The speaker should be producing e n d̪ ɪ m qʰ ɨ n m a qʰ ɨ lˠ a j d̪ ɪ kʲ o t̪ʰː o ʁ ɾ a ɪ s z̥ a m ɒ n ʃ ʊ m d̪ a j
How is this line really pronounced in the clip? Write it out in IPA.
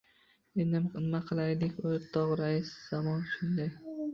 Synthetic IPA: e n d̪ ɪ m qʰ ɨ n m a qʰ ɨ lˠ a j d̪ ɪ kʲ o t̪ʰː ɒ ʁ ɾ a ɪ s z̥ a m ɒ n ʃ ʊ n d̪ a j